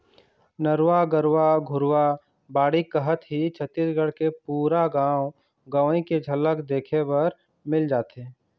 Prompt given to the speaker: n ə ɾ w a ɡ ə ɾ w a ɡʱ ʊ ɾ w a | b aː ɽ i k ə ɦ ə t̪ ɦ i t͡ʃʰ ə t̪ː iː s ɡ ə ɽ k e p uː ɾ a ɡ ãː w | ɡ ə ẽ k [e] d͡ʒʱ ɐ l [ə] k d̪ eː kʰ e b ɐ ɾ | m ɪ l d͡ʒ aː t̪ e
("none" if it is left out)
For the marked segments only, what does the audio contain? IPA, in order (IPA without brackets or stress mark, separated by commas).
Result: e, ə